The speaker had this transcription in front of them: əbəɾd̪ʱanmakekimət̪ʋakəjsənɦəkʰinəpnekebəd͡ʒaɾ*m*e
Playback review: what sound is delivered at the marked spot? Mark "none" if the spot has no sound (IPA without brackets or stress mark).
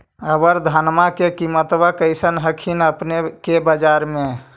m